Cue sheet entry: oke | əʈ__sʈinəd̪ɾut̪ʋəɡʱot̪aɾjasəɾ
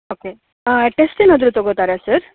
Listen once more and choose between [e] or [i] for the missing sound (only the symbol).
e